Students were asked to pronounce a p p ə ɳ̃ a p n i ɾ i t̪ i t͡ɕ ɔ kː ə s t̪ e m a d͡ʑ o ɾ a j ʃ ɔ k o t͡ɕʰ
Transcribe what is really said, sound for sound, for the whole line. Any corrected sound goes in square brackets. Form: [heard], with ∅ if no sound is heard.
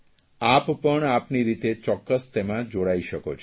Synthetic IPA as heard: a p p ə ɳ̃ a p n i ɾ i t̪ [e] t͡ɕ ɔ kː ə s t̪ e m a d͡ʑ o [ɽ] a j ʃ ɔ k o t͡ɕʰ